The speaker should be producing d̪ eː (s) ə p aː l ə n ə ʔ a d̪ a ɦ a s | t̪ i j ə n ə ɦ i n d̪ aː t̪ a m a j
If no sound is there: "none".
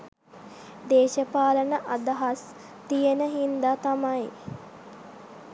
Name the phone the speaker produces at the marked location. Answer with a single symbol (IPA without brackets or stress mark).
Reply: ʃ